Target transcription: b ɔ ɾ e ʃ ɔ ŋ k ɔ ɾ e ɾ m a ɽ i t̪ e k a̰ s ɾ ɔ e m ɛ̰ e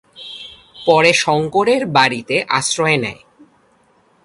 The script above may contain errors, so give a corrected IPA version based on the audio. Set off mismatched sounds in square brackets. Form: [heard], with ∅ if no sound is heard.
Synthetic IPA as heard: [p] ɔ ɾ e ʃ ɔ ŋ k [o] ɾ e ɾ [b] a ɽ i t̪ e [ʔ] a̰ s ɾ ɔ e [n] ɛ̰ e

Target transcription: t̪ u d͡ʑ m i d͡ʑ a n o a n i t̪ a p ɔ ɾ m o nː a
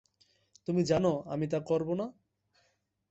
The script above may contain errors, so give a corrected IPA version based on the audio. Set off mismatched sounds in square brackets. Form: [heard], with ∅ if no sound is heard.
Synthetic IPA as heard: t̪ u [∅] m i d͡ʑ a n o a [m] i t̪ a [k] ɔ ɾ [b] o [n] a

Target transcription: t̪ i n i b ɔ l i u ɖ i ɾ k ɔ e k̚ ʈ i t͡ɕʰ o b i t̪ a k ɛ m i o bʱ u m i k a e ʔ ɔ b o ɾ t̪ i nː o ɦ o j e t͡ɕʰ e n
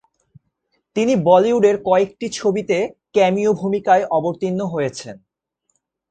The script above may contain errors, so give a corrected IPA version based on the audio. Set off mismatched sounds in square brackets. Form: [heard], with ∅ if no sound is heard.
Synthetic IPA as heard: t̪ i n i b ɔ l i u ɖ [e] ɾ k ɔ e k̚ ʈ i t͡ɕʰ o b i t̪ [e] k ɛ m i o bʱ u m i k a e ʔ ɔ b o ɾ t̪ i nː o ɦ o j e t͡ɕʰ e n

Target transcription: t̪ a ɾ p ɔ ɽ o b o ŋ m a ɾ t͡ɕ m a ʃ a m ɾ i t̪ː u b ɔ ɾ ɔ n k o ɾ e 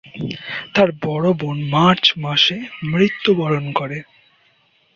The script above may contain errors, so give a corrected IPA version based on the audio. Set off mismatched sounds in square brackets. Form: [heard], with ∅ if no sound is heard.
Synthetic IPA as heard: t̪ a ɾ [b] ɔ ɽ o b o [n] m a ɾ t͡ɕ m a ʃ [e] m ɾ i t̪ː u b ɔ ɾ [o] n k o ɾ e

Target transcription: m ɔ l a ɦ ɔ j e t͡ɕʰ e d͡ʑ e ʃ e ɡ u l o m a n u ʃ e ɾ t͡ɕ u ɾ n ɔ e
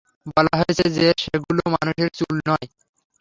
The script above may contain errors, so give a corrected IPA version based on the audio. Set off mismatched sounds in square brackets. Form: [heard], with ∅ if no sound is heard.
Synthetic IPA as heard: [b] ɔ l a ɦ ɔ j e t͡ɕʰ e d͡ʑ e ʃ e ɡ u l o m a n u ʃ e ɾ t͡ɕ u [l] n ɔ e

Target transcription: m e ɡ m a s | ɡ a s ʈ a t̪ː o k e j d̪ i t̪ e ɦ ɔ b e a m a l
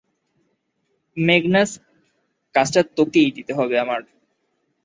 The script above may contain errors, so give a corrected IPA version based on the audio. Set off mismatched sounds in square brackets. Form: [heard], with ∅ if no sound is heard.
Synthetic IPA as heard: m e ɡ [n] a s | [k] a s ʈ a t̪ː o k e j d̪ i t̪ e ɦ ɔ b e a m a [ɾ]

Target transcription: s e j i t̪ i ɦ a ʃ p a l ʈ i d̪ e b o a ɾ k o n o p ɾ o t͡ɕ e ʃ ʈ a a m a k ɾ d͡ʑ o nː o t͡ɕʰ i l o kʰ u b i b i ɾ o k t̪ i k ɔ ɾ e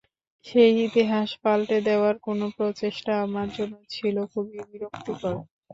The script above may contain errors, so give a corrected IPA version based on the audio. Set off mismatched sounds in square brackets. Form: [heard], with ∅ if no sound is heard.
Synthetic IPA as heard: [ʃ] e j i t̪ i ɦ a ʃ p a l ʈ [e] d̪ e [∅] o a ɾ k o n o p ɾ o t͡ɕ e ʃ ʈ a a m a [∅] ɾ d͡ʑ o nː o t͡ɕʰ i l o kʰ u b i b i ɾ o k t̪ i k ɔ ɾ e

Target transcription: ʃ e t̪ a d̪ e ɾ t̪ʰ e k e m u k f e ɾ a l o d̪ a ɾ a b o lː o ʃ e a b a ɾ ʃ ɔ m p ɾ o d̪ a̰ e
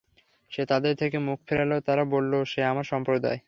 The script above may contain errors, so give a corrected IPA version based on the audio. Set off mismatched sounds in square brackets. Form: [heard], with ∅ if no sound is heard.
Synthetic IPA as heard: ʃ e t̪ a d̪ e ɾ t̪ʰ e k e m u k f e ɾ a l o [t̪] a ɾ a b o lː o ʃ e a [m] a ɾ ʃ ɔ m p ɾ o d̪ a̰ e

